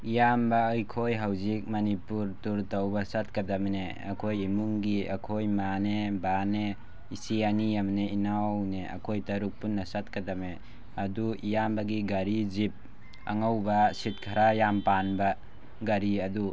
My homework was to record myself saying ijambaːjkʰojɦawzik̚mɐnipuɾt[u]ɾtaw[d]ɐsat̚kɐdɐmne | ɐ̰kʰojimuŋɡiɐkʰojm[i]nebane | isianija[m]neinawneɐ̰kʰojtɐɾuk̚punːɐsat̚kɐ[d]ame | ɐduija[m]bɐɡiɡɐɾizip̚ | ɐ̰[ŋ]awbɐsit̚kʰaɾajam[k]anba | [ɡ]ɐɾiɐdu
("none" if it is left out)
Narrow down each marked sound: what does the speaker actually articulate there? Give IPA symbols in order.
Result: u, b, a, m, d, m, ŋ, p, ɡ

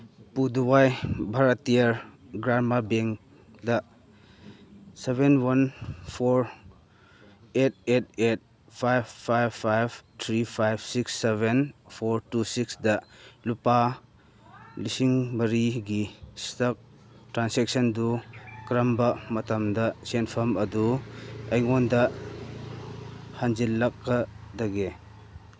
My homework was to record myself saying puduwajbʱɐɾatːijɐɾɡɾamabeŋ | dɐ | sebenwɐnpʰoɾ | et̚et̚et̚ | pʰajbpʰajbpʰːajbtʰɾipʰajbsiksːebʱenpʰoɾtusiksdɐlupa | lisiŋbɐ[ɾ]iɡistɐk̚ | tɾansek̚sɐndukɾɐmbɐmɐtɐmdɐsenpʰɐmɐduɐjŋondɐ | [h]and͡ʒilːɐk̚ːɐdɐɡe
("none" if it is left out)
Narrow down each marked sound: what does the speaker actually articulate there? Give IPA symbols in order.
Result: ɾ, h

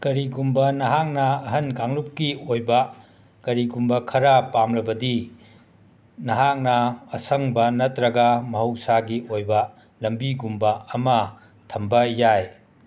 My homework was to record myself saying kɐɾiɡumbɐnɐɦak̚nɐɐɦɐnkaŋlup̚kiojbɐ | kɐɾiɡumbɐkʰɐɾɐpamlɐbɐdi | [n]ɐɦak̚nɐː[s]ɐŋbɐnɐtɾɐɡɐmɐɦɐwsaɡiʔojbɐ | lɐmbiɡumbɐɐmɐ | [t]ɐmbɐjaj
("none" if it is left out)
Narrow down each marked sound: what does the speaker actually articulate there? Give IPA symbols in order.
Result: n, s, tʰ

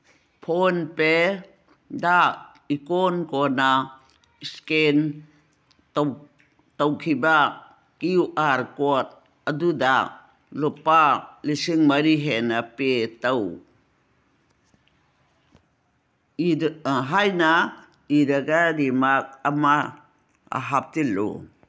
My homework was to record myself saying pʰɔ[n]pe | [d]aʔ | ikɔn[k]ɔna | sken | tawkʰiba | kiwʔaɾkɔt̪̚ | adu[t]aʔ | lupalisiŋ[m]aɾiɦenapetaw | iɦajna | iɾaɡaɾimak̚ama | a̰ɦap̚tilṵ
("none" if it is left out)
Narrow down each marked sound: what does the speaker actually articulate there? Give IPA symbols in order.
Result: n, d, k, d, m

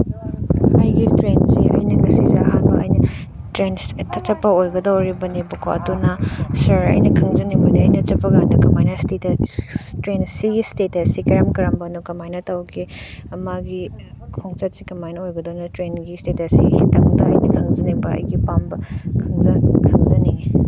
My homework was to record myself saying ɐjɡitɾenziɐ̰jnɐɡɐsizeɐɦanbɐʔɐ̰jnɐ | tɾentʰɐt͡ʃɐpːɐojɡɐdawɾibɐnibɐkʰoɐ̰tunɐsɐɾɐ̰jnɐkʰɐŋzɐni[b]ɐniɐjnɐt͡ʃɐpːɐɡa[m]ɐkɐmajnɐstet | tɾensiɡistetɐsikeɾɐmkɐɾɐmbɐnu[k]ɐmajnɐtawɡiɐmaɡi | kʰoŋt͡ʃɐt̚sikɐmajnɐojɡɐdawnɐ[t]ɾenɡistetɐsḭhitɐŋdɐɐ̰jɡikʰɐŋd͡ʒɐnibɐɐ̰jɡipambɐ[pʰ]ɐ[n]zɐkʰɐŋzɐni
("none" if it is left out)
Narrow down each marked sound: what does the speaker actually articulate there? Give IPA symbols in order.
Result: b, n, k, t, kʰ, ŋ

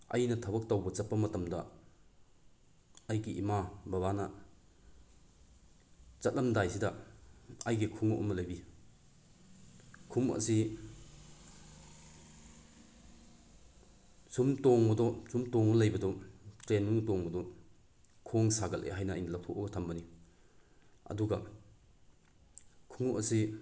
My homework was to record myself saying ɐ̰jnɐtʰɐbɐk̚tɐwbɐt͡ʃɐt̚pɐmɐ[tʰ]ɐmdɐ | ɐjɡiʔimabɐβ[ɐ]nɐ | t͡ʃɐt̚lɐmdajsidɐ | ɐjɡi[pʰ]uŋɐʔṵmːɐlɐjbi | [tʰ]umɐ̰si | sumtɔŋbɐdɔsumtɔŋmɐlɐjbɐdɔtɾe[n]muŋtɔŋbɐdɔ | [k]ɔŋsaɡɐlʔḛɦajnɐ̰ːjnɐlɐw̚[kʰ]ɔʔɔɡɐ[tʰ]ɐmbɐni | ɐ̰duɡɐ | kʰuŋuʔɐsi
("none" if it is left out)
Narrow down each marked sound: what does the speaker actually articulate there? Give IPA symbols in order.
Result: t, a, kʰ, kʰ, n, kʰ, tʰ, tʰ

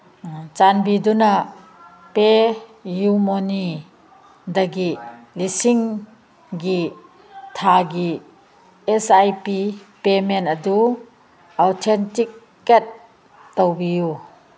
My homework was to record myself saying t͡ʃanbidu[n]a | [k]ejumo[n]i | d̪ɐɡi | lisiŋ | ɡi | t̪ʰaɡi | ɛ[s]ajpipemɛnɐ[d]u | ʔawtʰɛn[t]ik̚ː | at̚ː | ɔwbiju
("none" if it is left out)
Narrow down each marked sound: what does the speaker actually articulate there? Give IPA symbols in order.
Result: n, p, n, s, d, t

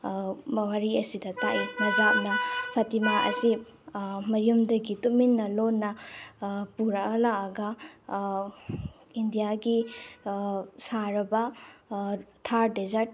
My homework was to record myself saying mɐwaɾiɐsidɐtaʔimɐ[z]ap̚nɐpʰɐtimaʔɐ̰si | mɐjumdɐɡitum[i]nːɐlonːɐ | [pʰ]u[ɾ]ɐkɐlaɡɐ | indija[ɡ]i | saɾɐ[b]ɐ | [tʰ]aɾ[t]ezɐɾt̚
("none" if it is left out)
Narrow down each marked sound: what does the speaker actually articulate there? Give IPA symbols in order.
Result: z, i, p, ɾ, ɡ, b, tʰ, d

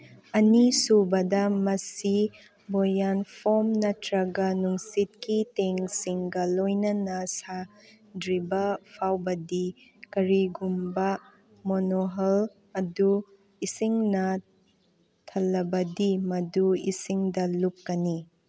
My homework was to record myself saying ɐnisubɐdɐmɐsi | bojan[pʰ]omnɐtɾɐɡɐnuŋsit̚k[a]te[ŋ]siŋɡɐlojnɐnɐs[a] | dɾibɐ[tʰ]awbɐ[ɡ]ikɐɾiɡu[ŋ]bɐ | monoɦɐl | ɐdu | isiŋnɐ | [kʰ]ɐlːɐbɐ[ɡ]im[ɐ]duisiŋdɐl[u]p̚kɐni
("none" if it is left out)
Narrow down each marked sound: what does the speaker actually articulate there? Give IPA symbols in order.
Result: pʰ, i, ŋ, a, pʰ, d, m, tʰ, d, ɐ, u

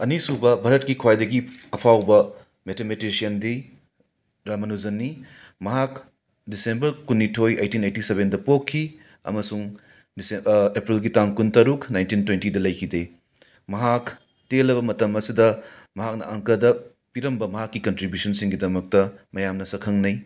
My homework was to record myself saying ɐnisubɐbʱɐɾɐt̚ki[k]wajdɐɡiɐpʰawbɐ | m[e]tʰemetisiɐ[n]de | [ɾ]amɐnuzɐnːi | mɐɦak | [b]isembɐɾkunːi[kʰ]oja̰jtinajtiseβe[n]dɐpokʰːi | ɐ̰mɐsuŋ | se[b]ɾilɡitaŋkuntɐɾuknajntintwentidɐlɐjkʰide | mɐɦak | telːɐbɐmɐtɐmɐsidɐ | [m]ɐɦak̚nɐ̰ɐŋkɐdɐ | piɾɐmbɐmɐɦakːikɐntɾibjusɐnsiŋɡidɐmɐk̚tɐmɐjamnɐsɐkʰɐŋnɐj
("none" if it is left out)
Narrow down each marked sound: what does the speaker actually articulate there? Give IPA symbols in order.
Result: kʰ, e, n, ɾ, d, tʰ, n, p, m

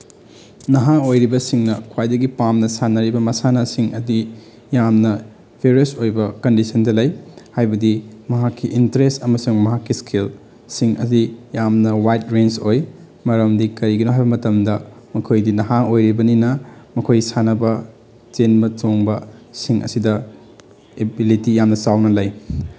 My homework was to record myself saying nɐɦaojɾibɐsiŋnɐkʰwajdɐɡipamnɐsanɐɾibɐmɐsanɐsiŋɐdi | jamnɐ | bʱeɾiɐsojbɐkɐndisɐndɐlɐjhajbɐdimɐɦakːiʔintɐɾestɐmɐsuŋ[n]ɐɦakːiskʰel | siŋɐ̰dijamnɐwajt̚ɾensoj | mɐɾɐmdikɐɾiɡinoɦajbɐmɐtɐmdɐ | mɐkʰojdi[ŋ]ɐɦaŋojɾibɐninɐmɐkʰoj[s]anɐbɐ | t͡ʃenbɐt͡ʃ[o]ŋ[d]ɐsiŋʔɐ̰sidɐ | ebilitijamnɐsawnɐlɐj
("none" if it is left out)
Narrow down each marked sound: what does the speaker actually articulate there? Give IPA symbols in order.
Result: m, n, s, o, b

